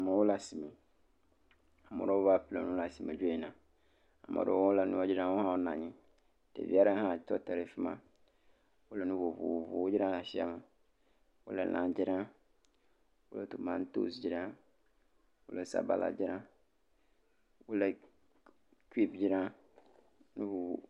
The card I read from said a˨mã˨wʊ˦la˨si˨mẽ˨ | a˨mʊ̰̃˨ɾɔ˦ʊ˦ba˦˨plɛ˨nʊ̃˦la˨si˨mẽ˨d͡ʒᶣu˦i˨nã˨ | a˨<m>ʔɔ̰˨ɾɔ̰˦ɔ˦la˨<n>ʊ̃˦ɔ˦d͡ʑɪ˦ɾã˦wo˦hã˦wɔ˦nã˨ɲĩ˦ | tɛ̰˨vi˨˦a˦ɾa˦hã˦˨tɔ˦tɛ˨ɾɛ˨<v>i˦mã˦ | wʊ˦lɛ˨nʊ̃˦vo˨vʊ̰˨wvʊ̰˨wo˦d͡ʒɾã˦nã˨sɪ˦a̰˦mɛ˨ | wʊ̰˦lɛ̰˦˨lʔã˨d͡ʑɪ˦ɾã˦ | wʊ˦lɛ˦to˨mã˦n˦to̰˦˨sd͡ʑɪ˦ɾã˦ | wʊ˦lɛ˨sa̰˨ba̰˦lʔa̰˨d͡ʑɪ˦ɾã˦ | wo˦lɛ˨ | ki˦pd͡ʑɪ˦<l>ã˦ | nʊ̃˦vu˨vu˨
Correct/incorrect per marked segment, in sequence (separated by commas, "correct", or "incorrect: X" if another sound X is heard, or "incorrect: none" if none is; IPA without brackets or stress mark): correct, correct, incorrect: f, incorrect: ɾ